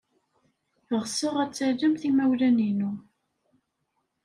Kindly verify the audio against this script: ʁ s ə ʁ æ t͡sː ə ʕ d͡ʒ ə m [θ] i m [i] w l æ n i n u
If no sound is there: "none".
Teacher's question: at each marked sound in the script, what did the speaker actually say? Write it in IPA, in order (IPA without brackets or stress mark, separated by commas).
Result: θ, æ